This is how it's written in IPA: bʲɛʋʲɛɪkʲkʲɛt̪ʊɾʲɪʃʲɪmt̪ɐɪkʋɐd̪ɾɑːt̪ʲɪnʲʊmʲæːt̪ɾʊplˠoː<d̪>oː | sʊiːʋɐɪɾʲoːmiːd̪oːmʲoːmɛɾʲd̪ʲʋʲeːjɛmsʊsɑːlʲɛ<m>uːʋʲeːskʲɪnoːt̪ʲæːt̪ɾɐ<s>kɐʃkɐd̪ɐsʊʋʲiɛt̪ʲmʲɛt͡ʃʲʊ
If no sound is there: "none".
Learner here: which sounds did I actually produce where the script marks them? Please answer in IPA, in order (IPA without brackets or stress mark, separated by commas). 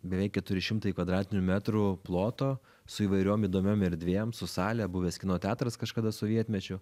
t̪, b, s